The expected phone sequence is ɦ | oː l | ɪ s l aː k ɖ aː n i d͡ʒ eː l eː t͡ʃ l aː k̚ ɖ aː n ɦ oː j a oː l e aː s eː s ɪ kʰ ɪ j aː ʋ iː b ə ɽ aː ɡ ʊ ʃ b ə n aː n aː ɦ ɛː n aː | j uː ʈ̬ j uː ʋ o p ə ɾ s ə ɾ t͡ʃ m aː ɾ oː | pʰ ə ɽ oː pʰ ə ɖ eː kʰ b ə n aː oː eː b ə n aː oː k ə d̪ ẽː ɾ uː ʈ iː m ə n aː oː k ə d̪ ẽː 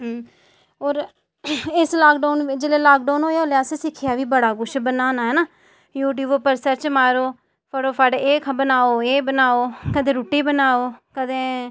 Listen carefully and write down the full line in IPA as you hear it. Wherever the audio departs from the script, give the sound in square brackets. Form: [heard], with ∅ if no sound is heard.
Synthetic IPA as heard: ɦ | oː [ɾ] | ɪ s l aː k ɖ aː n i d͡ʒ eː l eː [∅] l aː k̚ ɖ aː n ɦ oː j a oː l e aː s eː s ɪ kʰ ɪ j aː ʋ iː b ə ɽ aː ɡ ʊ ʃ b ə n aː n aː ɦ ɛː n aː | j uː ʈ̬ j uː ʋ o p ə ɾ s ə ɾ t͡ʃ m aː ɾ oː | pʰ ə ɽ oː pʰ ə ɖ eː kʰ b ə n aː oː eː b ə n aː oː k ə d̪ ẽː ɾ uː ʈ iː [b] ə n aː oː k ə d̪ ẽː